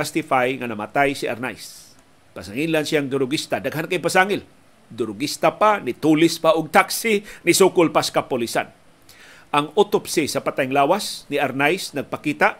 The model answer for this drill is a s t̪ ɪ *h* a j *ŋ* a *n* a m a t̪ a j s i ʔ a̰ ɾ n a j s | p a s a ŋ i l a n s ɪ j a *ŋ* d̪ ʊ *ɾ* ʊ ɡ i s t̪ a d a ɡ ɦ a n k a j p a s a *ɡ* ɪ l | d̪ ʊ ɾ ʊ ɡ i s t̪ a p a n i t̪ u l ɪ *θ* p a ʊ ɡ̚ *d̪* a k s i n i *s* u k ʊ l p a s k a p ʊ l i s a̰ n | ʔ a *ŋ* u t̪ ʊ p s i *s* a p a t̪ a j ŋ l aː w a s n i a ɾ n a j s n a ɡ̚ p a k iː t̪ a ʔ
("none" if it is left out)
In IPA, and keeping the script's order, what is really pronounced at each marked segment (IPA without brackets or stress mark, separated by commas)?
f, ŋ, n, ŋ, ɾ, ŋ, s, t̪, s, ŋ, s